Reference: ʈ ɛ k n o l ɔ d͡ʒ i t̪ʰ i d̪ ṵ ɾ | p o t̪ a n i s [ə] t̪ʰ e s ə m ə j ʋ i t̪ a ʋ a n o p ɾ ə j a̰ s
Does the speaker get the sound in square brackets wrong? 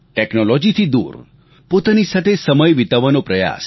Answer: yes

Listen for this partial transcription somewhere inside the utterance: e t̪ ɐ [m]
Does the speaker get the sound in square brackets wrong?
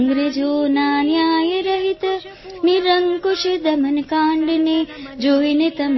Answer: no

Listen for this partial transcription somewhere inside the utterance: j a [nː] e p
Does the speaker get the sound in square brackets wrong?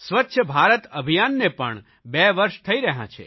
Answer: no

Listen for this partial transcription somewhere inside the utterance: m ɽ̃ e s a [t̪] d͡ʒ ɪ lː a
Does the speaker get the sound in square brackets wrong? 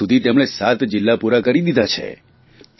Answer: no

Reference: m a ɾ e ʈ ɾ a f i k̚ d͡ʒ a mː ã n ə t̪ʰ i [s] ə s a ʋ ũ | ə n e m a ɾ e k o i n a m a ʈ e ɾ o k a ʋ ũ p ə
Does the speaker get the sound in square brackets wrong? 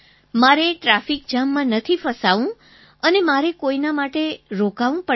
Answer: yes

